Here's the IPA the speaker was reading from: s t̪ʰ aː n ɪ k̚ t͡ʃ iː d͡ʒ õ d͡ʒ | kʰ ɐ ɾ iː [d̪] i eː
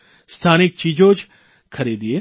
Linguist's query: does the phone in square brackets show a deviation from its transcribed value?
no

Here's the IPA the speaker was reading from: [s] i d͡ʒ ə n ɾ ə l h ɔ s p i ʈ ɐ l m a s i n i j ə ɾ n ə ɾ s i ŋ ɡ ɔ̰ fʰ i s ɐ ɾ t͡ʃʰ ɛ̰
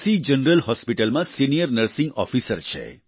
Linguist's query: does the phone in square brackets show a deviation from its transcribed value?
no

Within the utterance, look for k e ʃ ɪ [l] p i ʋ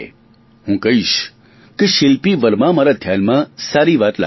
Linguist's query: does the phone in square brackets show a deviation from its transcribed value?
no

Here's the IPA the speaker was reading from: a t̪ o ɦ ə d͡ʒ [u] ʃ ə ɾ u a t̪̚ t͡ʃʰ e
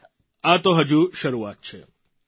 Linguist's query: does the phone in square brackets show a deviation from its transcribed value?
no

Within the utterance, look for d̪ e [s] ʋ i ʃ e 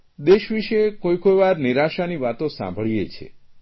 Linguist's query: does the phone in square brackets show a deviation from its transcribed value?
yes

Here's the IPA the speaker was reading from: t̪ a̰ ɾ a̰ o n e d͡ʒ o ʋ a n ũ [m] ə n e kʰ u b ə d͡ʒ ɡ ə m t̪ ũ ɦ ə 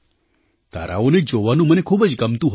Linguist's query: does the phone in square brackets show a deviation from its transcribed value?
no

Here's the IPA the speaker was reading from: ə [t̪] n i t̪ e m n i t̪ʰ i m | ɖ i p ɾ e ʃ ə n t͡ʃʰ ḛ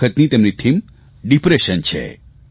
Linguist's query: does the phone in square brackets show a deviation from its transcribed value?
no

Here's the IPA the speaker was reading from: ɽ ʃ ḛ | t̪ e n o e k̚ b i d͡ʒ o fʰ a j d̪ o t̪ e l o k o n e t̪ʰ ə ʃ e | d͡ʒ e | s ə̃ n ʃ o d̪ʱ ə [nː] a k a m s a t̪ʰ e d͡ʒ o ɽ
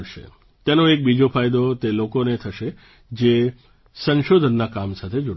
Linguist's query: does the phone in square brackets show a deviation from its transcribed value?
no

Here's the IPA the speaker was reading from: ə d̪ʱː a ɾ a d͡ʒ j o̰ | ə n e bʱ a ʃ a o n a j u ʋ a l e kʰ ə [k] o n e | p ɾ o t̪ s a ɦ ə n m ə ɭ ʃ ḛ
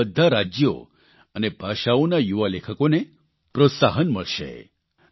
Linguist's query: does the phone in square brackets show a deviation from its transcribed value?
no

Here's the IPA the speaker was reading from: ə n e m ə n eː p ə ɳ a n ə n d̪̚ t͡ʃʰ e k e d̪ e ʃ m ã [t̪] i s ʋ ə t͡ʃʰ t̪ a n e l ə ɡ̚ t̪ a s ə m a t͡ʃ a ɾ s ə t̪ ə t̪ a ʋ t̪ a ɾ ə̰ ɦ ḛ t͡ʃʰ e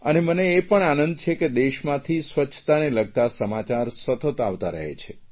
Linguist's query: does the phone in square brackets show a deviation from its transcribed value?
yes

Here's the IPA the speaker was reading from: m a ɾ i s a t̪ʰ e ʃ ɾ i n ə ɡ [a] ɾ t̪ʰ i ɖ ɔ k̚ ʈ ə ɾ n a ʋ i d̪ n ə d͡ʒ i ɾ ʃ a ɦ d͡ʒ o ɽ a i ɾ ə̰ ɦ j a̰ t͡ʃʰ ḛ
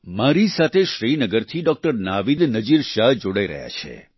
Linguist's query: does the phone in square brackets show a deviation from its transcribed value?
yes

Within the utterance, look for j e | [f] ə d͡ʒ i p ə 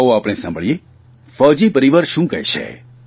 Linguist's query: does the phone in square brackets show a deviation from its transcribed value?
no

